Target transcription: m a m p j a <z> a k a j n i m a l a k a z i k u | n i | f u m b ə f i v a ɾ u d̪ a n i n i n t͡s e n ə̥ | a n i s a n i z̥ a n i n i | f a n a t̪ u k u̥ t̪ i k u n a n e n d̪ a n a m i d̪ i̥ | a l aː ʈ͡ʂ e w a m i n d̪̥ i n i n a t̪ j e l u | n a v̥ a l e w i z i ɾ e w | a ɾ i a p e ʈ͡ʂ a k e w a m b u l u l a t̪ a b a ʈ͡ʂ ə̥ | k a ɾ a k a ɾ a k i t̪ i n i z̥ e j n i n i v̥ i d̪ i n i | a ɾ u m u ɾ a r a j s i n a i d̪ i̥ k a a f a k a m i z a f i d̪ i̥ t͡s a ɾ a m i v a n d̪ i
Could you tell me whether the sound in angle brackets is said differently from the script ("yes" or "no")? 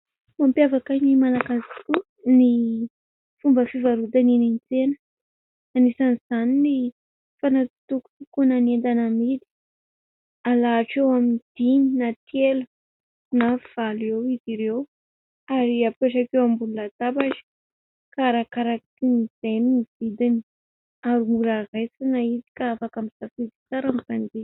yes